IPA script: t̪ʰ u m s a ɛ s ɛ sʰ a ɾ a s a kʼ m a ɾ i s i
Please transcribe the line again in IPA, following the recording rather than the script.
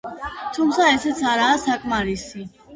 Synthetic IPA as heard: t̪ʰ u m s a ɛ s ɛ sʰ a ɾ a s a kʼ m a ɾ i s i